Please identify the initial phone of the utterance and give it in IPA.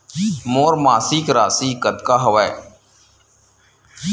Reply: m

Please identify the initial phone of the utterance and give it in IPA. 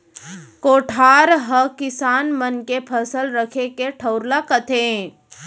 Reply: k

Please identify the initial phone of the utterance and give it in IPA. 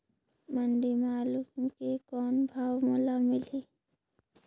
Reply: m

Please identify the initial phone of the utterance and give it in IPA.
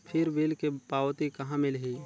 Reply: pʰ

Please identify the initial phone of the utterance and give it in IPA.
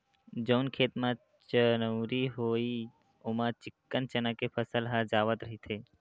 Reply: d͡ʒ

